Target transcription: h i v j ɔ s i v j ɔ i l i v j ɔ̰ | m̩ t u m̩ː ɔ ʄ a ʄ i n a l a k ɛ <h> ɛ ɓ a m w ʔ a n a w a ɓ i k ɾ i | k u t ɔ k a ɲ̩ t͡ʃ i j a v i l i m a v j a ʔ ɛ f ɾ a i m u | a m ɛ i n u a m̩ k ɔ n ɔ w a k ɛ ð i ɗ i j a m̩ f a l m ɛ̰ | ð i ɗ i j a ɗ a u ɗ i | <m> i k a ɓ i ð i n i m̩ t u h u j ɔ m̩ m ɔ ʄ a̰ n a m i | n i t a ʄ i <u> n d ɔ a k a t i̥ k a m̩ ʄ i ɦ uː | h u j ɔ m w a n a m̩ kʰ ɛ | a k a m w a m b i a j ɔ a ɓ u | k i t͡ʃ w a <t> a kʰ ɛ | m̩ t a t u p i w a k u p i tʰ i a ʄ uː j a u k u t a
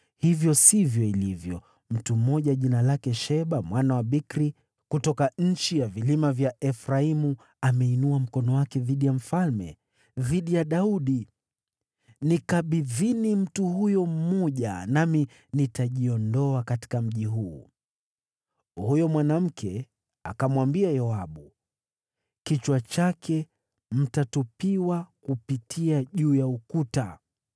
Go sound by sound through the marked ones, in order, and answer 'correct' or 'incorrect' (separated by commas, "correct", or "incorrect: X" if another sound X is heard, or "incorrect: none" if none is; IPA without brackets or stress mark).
incorrect: ʃ, incorrect: n, incorrect: ɔ, incorrect: t͡ʃ